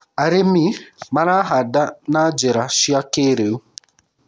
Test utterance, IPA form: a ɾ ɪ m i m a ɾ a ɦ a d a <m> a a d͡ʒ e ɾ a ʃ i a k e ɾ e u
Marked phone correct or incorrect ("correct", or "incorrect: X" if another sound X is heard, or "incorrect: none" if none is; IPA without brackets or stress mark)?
incorrect: n